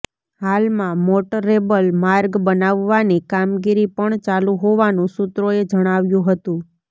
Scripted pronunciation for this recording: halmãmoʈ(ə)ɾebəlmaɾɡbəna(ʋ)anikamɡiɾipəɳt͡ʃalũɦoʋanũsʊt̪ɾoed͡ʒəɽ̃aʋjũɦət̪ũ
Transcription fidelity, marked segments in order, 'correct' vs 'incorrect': correct, incorrect

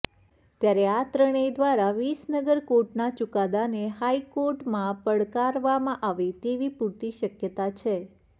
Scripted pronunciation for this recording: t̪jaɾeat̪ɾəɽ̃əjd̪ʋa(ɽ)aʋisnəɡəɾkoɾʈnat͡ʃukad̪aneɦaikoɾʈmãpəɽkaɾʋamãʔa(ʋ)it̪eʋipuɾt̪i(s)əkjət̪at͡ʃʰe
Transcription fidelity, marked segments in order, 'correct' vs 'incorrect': incorrect, correct, incorrect

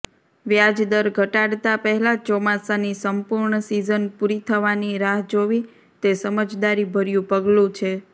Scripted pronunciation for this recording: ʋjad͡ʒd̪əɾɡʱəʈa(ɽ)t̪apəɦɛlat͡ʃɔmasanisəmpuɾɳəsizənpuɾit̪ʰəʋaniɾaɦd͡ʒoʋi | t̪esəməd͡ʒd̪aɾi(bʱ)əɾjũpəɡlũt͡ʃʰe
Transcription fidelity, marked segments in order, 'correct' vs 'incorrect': correct, correct

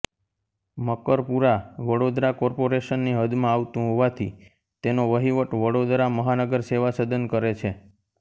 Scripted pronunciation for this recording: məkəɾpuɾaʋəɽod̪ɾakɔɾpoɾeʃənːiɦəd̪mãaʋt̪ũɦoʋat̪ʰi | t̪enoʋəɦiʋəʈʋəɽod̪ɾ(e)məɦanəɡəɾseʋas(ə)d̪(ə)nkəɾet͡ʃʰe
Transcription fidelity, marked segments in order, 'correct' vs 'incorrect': incorrect, correct, correct

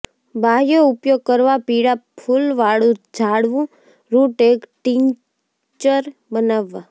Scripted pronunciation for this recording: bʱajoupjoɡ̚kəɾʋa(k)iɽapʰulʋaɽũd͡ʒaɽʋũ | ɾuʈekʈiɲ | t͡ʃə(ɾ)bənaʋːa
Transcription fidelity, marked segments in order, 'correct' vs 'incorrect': incorrect, correct

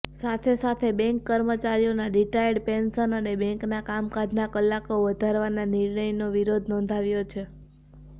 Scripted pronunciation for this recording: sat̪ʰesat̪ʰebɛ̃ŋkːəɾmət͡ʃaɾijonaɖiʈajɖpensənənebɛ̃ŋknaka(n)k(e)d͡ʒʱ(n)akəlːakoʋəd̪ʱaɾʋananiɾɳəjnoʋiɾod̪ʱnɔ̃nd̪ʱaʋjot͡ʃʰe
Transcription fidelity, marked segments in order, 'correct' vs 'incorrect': incorrect, incorrect, correct

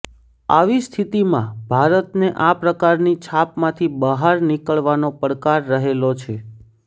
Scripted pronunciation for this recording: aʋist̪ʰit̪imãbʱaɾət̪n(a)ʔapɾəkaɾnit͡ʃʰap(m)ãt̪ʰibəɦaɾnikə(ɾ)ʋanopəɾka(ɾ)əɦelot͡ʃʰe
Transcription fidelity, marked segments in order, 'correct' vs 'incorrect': incorrect, correct, incorrect, incorrect

